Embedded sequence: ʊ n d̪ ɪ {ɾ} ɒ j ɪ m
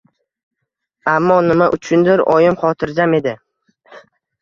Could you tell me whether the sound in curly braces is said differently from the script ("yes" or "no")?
no